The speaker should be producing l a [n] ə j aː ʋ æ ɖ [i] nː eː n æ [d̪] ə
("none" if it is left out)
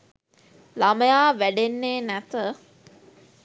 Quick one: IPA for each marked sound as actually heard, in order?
m, e, t̪

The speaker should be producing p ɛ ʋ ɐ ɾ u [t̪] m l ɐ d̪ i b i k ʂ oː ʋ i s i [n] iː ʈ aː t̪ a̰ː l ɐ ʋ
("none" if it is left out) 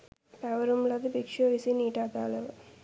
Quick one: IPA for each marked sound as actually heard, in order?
none, n

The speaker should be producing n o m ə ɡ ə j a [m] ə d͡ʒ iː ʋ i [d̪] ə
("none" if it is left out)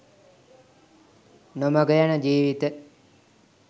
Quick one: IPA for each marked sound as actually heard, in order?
n, t̪

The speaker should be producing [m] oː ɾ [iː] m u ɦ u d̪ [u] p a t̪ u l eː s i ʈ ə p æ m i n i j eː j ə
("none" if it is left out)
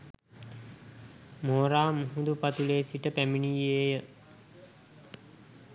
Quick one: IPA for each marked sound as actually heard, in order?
m, aː, u

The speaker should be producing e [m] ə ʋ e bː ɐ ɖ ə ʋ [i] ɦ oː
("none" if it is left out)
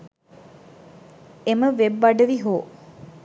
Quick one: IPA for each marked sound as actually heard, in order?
m, i

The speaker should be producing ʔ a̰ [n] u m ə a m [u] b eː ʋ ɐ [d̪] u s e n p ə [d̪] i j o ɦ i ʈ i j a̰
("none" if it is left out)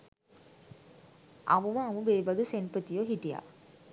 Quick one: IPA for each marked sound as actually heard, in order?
m, u, d̪, t̪

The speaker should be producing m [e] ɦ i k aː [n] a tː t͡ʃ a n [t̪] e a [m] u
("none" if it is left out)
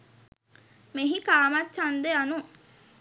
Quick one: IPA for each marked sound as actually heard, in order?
e, m, d̪, n

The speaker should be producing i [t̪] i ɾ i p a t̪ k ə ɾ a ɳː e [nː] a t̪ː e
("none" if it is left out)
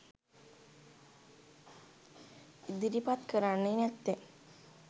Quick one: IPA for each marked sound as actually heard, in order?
d̪, n

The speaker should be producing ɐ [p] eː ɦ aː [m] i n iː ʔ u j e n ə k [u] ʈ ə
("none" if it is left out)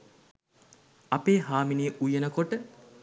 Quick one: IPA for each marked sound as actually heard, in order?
p, m, o

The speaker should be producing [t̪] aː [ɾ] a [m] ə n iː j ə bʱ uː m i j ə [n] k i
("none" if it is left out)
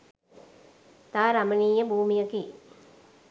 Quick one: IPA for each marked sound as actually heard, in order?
t̪, ɾ, m, none

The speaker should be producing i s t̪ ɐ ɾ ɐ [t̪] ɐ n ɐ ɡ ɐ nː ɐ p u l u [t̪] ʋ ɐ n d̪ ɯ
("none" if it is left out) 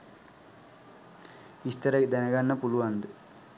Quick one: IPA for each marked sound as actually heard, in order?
d̪, none

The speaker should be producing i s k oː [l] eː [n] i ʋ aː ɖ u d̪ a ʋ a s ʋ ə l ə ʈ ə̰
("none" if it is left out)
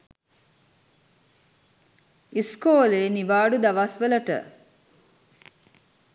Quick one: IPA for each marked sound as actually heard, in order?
l, n

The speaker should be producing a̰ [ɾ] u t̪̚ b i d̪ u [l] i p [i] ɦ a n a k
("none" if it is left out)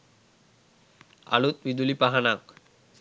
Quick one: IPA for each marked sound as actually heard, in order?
l, l, a

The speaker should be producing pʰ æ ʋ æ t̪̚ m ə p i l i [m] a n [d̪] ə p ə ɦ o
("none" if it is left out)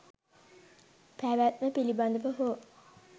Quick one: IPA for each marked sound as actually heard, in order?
b, d̪

